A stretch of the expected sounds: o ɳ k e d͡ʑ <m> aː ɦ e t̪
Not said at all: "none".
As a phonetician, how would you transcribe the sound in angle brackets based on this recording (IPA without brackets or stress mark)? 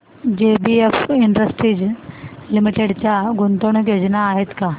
n